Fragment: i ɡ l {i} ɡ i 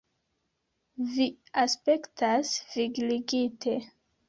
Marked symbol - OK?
yes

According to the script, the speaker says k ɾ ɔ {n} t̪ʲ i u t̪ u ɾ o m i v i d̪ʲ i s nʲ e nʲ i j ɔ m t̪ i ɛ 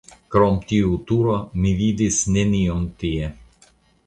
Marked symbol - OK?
no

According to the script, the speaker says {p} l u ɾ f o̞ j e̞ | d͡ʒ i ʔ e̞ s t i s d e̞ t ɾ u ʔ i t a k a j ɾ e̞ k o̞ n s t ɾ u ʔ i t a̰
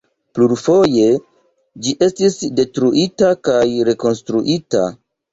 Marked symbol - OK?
yes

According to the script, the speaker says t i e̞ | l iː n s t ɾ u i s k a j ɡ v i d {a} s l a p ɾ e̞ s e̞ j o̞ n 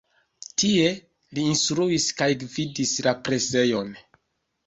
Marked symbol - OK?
no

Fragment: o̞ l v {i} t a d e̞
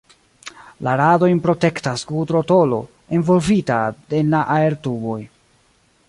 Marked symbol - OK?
yes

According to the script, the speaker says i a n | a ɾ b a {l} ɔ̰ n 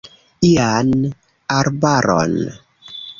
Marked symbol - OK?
no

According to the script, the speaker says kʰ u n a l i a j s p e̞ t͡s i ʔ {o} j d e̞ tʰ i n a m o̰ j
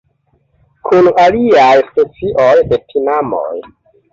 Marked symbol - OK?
yes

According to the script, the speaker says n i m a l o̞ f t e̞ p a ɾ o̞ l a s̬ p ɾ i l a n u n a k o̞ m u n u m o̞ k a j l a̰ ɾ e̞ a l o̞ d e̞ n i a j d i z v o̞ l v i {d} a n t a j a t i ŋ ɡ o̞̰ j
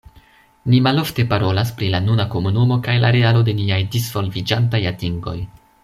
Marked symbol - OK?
no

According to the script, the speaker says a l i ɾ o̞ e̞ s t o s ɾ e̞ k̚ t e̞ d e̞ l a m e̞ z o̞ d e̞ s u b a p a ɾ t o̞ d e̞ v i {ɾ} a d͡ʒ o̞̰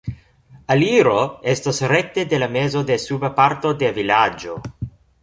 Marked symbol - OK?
no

